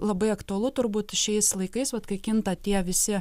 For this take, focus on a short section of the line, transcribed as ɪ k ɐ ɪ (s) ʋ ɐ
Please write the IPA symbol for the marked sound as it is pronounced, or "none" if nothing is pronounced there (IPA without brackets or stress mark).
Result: s